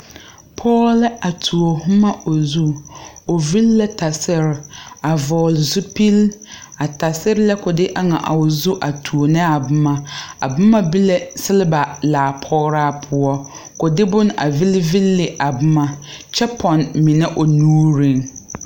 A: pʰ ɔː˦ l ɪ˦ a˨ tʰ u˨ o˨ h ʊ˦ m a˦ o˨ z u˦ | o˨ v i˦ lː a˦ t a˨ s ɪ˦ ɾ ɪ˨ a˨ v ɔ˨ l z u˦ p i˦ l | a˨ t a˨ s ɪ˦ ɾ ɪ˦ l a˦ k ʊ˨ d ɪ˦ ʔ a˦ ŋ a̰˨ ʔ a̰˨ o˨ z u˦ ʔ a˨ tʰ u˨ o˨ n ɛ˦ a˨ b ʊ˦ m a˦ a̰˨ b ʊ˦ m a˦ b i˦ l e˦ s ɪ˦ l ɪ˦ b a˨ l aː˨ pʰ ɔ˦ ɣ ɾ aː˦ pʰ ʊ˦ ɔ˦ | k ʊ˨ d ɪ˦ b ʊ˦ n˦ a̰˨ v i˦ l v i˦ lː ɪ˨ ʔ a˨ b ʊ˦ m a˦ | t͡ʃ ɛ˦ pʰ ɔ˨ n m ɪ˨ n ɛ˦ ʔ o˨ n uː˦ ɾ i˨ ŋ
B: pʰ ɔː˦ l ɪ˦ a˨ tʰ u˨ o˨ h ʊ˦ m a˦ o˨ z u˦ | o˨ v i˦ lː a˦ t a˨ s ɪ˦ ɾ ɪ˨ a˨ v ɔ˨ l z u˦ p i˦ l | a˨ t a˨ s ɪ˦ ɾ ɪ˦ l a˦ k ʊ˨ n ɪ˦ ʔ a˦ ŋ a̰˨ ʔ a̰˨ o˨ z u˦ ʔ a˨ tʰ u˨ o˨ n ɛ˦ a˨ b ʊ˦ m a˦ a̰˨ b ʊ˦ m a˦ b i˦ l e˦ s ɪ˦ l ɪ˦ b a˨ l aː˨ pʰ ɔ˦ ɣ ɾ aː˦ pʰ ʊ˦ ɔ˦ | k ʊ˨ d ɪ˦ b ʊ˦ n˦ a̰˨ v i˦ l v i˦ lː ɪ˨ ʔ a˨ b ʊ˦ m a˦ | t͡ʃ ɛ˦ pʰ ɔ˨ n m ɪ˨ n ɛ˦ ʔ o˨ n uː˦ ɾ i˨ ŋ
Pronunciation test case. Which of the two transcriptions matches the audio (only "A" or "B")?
A